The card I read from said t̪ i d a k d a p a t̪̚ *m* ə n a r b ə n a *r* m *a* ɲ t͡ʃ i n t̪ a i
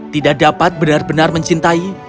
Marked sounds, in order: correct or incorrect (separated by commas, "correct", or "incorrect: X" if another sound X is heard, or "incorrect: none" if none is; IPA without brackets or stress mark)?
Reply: incorrect: b, correct, incorrect: ə